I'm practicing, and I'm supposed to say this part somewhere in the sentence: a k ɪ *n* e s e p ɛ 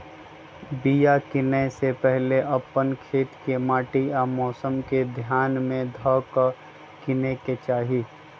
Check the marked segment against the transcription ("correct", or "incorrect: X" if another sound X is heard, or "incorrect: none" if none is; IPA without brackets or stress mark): correct